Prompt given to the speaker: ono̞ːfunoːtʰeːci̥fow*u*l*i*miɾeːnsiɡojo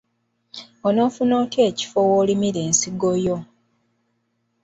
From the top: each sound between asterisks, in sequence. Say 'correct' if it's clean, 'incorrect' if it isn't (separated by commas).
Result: incorrect, correct